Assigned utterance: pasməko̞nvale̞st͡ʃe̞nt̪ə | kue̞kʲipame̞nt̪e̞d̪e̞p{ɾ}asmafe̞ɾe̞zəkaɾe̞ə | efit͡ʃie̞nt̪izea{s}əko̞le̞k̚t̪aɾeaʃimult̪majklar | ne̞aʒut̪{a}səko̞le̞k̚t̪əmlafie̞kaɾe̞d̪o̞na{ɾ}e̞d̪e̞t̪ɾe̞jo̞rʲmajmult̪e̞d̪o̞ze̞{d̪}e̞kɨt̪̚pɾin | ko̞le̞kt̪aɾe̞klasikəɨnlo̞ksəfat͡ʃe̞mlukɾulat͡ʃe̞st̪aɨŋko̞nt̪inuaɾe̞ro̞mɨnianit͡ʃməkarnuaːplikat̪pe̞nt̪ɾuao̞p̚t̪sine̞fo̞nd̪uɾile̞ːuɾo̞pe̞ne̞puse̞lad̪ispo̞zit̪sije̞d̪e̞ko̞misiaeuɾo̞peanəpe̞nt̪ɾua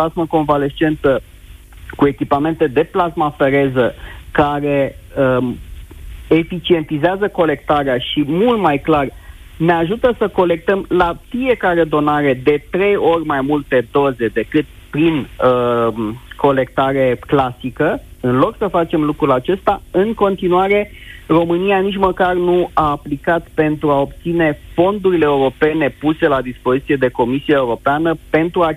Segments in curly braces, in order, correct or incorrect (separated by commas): incorrect, incorrect, incorrect, correct, correct